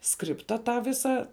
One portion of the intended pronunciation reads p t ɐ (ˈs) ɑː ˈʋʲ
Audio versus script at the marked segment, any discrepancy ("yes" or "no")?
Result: yes